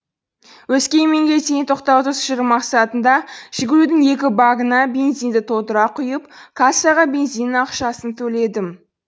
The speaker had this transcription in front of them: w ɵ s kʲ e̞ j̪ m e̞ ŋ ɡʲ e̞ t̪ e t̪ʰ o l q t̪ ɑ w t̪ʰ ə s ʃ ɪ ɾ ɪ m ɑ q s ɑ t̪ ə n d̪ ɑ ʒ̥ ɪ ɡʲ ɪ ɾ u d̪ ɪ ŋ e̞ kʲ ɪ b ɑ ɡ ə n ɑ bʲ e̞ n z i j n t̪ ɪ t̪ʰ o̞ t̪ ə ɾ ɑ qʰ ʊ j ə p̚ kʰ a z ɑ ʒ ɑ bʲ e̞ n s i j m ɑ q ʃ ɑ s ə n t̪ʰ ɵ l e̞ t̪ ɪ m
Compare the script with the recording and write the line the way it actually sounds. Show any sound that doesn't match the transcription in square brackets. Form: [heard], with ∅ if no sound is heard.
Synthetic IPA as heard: w ɵ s kʲ e̞ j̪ m e̞ ŋ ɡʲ e̞ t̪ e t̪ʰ o [∅] q t̪ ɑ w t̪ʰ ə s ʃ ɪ ɾ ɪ m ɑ q s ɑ t̪ ə n d̪ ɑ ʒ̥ ɪ ɡʲ ɪ ɾ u d̪ ɪ ŋ e̞ kʲ ɪ b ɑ ɡ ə n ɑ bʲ e̞ n z i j n [d̪] ɪ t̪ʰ o̞ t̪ ə ɾ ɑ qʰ ʊ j ə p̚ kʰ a [s] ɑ [ʁ] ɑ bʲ e̞ n [z] i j [n] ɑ q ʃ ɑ s ə n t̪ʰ ɵ l e̞ [d̪] ɪ m